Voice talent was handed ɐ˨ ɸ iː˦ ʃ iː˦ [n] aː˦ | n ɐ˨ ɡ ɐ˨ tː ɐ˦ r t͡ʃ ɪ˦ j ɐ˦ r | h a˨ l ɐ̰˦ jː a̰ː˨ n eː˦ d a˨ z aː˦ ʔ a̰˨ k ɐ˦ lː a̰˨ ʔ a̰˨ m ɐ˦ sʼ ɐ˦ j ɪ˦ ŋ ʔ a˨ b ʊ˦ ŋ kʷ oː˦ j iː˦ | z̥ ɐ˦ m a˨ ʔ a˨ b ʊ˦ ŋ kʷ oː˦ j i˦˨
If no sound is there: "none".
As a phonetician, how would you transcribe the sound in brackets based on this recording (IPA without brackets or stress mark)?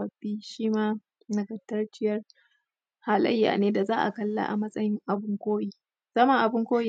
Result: m